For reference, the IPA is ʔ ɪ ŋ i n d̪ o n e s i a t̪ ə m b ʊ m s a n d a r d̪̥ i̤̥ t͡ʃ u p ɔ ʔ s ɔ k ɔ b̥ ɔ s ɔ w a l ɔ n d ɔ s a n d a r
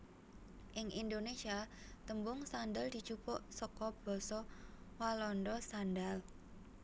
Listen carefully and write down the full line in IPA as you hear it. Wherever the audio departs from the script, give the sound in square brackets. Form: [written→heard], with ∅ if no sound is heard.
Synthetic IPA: ʔ ɪ ŋ i n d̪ o n e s i a t̪ ə m b ʊ [m→ŋ] s a n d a [r→l] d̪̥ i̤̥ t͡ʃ u p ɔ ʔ s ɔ k ɔ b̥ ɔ s ɔ w a l ɔ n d ɔ s a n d a [r→l]

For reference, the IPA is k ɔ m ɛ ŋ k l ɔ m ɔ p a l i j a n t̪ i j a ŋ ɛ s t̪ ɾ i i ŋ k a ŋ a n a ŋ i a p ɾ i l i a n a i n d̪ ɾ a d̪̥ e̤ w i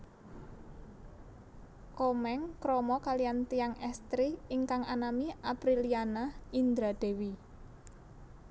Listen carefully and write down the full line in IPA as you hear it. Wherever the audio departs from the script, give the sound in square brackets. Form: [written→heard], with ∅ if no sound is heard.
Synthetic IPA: k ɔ m ɛ ŋ k [l→ɾ] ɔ m ɔ [p→k] a l i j a n t̪ i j a ŋ ɛ s t̪ ɾ i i ŋ k a ŋ a n a [ŋ→m] i a p ɾ i l i a n a i n d̪ ɾ a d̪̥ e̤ w i

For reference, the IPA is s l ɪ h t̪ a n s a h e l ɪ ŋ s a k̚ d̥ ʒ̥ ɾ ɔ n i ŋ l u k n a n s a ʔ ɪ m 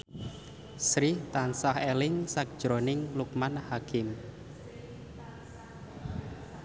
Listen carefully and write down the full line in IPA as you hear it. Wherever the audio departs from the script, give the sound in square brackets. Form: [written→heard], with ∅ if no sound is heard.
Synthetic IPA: s [l→ɾ] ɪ h t̪ a n s a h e l ɪ ŋ s a k̚ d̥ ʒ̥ ɾ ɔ n [i→ɪ] ŋ l u k [n→m] a n [s→h] a [ʔ→k] ɪ m

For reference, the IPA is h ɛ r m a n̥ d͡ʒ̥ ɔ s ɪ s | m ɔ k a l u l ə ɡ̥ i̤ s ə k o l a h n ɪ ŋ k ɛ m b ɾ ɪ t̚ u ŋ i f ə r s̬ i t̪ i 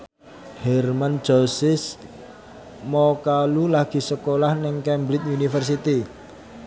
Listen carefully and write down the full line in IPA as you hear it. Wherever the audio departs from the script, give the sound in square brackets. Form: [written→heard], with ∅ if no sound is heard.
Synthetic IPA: h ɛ r m a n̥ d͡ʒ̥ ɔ s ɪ s | m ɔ k a l u l [ə→a] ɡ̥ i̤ s ə k o l a h n ɪ ŋ k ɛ m b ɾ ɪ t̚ u [ŋ→n] i f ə r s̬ i t̪ i

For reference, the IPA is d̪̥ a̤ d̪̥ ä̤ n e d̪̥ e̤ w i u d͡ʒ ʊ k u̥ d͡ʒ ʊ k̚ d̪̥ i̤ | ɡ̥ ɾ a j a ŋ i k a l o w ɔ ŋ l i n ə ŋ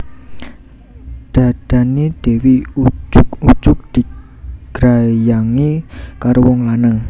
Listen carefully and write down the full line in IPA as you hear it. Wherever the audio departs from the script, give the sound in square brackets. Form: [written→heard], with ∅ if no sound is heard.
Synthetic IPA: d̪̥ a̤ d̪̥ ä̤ n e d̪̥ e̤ w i u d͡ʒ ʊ k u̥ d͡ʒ ʊ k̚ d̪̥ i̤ | ɡ̥ ɾ a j a ŋ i k a [l→ɾ] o w ɔ ŋ l [i→a] n ə ŋ

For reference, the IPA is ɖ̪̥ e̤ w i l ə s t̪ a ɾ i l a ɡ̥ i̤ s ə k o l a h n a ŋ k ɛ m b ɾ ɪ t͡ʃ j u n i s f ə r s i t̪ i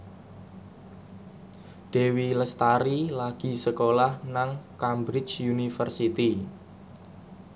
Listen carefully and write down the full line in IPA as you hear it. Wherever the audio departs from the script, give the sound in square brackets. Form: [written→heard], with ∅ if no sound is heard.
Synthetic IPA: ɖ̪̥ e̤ w i l ə s t̪ a ɾ i l a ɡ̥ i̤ s ə k o l a h n a ŋ k [ɛ→a] m b ɾ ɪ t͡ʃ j u n i [s→∅] f ə r s i t̪ i

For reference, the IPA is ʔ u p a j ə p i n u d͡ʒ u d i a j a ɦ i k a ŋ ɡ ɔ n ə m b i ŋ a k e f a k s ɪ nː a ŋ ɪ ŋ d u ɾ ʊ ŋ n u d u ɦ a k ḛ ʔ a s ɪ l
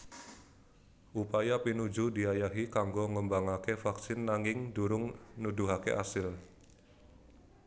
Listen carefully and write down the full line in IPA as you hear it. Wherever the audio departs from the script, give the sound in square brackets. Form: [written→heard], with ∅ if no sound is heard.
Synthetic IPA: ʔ u p a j [ə→a] p i n u d͡ʒ u d i a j a ɦ i k a ŋ ɡ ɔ [n→ŋ] ə m b [i→a] ŋ a k e f a k s ɪ nː a ŋ ɪ ŋ d u ɾ ʊ ŋ n u d u ɦ a k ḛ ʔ a s ɪ l

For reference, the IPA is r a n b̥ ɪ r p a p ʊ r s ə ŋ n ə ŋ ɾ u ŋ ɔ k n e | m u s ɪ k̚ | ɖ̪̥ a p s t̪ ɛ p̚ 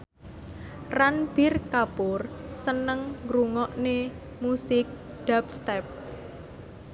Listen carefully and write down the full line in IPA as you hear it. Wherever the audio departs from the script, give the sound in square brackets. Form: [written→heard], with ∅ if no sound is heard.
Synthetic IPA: r a n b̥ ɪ r [p→k] a p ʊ r s ə [ŋ→∅] n ə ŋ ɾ u ŋ ɔ [k→ʔ] n e | m u s ɪ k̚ | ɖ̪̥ a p s t̪ ɛ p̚

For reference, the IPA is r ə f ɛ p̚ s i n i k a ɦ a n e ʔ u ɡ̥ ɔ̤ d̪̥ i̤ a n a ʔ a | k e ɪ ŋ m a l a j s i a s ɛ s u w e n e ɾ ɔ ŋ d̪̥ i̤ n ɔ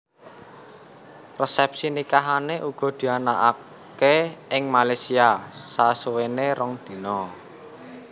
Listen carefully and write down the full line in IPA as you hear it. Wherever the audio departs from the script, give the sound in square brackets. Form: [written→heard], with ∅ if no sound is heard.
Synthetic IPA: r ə [f→s] ɛ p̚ s i n i k a ɦ a n e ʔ u ɡ̥ ɔ̤ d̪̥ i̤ a n a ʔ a | k e ɪ ŋ m a l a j s i a s [ɛ→a] s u w e n e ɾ ɔ ŋ d̪̥ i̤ n ɔ

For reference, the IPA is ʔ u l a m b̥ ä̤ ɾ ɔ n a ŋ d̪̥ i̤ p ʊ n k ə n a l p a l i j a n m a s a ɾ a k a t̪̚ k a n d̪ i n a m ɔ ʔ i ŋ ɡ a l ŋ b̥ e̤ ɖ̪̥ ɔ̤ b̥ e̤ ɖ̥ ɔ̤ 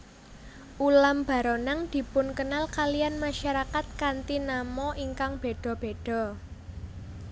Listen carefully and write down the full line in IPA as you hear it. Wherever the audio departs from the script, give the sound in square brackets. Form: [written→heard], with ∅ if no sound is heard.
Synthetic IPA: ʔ u l a m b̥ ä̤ ɾ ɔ n a ŋ d̪̥ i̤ p ʊ n k ə n a l [p→k] a l i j a n m a [s→ʃ] a ɾ a k a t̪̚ k a n [d̪→t̪] i n a m ɔ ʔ i ŋ [ɡ→k] a [l→∅] ŋ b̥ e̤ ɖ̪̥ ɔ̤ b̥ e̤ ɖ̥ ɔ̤

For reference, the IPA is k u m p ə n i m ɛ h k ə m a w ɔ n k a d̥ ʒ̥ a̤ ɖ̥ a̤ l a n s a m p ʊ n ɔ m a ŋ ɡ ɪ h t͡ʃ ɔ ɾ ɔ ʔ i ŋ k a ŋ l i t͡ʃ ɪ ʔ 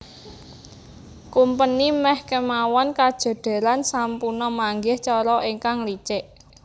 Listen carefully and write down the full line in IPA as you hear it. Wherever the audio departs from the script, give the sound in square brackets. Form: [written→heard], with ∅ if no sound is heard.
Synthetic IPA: k u m p ə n i m ɛ h k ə m a w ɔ n k a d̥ ʒ̥ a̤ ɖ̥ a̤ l a n s a m p [ʊ→u] n ɔ m a ŋ ɡ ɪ h t͡ʃ ɔ ɾ ɔ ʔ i ŋ k a ŋ l i t͡ʃ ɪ ʔ

